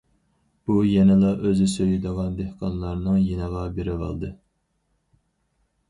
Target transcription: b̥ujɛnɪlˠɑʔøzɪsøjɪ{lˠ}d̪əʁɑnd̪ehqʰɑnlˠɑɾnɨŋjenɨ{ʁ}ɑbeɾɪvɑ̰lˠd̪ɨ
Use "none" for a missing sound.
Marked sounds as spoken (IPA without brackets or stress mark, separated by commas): none, ʁ